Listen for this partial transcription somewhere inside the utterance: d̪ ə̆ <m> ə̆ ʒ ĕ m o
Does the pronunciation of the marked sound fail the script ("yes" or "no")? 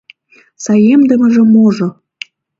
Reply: no